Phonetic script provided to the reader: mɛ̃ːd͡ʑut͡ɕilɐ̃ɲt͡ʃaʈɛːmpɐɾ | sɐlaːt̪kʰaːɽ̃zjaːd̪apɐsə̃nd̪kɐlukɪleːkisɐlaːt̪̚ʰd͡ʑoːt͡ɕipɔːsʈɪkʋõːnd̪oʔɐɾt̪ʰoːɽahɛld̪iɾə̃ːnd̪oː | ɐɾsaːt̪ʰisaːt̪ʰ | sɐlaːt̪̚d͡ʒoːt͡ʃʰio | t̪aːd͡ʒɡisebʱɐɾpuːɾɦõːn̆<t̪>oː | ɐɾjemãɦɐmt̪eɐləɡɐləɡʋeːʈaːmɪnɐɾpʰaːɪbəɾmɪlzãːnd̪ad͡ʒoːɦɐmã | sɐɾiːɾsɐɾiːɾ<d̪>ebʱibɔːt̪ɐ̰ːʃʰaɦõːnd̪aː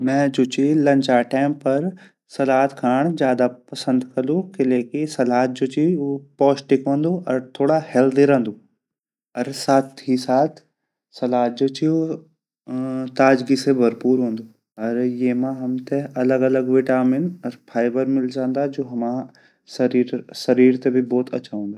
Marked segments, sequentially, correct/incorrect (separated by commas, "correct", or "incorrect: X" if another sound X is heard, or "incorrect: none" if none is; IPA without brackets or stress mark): incorrect: d̪, incorrect: t̪